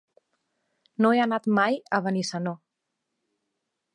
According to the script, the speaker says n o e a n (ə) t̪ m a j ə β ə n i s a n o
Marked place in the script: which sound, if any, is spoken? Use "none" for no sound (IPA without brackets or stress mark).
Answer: a